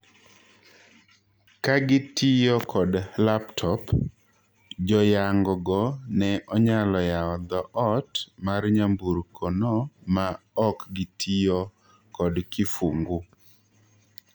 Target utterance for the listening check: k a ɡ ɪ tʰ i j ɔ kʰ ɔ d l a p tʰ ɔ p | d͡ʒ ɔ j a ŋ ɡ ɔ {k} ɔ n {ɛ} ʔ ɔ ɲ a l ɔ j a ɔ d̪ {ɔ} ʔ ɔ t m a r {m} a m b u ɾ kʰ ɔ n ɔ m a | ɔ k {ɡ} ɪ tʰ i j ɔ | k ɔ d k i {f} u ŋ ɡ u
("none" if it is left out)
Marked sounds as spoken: ɡ, ɛ, ɔ, ɲ, ɡ, f

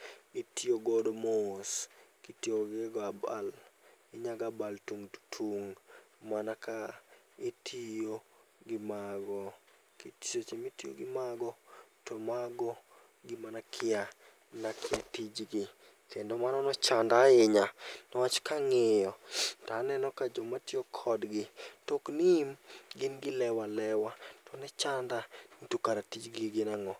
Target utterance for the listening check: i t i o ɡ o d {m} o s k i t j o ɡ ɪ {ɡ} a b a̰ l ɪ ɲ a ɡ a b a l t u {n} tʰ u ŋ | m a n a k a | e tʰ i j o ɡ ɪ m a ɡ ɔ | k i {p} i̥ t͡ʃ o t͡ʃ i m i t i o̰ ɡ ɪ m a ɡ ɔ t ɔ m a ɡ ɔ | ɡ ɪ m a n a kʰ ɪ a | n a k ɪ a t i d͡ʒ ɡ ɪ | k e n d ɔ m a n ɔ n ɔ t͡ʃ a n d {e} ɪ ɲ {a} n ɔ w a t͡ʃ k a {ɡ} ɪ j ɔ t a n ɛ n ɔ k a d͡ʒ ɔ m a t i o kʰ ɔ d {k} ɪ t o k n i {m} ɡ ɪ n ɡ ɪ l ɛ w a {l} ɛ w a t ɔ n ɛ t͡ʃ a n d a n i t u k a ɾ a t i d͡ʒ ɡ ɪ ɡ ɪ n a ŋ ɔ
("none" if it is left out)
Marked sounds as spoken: m, ɡ, ŋ, t, a, a, ŋ, ɡ, m, l

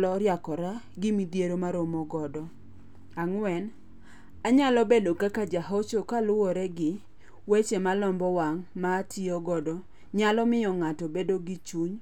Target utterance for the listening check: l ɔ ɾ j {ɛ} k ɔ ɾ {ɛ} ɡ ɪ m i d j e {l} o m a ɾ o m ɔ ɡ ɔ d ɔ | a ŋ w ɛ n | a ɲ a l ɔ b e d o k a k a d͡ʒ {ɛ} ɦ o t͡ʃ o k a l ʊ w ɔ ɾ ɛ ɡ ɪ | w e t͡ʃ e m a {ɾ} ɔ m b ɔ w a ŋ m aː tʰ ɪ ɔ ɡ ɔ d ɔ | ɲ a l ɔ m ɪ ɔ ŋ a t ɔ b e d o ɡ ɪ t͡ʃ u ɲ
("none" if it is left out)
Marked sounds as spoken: a, a, ɾ, a, l

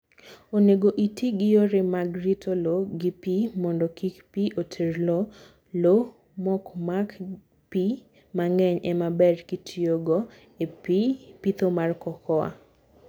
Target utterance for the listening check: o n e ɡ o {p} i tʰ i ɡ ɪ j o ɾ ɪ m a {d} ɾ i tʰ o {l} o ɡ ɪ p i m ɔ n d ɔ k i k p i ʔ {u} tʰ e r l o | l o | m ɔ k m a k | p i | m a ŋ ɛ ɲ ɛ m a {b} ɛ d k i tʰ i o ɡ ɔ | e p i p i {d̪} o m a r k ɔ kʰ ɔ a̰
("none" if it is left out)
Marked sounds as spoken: ʔ, ɡ, l, o, b, t̪

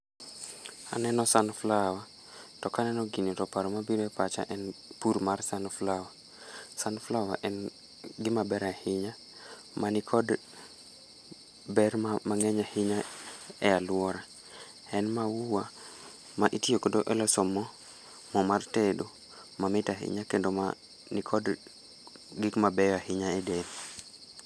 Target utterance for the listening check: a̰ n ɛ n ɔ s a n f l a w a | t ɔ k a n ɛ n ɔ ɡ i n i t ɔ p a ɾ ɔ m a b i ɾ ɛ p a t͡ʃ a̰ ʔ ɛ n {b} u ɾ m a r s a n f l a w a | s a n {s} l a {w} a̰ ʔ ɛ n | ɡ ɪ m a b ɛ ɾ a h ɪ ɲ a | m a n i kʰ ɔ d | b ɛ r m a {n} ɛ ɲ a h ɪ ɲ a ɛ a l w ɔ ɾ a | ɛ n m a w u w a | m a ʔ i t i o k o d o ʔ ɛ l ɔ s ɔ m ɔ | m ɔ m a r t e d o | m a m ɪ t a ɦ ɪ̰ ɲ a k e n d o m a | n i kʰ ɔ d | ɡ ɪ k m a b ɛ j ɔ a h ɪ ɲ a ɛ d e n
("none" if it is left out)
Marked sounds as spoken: p, f, w, ŋ

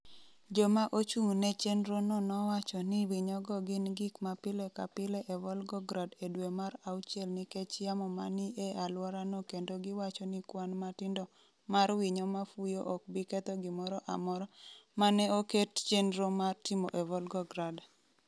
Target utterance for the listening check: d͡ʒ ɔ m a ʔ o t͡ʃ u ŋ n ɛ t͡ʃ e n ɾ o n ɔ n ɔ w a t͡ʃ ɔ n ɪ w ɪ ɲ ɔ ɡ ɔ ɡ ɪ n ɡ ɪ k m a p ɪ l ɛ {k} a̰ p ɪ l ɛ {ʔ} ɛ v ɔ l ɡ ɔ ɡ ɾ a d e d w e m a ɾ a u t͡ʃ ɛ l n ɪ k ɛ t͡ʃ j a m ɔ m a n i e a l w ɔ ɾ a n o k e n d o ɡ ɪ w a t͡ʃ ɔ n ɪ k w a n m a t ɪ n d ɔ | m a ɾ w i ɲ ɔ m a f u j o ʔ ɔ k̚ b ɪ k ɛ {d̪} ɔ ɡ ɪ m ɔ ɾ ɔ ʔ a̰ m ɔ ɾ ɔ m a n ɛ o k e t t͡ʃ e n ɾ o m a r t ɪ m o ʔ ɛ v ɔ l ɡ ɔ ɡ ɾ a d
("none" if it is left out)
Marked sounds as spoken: k, ʔ, t̪

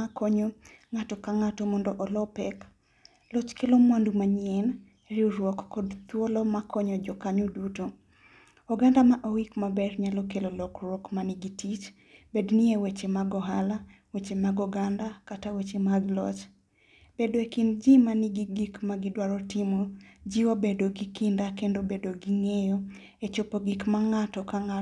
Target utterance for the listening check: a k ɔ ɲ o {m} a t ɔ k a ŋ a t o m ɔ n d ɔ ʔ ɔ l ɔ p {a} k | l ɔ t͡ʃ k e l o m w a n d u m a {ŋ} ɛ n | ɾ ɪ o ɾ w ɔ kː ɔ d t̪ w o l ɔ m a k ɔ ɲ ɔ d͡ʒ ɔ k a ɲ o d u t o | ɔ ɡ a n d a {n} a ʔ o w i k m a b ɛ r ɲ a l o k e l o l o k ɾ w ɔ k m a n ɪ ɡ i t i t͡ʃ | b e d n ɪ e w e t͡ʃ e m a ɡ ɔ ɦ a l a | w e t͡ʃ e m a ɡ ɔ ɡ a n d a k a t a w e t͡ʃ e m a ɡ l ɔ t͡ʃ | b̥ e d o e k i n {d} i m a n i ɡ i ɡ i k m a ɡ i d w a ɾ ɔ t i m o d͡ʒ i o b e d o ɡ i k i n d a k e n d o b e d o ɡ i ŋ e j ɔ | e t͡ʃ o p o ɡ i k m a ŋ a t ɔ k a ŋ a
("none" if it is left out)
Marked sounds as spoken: ŋ, ɛ, ɲ, m, d͡ʒ

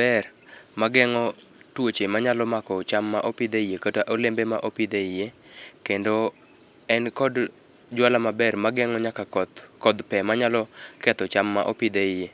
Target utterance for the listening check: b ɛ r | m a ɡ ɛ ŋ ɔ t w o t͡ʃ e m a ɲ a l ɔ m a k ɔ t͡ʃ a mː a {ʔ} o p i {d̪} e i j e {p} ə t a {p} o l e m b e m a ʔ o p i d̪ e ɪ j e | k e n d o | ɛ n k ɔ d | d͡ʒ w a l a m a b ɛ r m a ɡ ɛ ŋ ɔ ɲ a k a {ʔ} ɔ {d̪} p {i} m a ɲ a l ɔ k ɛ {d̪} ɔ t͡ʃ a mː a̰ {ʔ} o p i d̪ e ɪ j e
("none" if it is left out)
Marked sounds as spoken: ʔ, d̪, k, ʔ, k, d̪, ɛ, t̪, ʔ

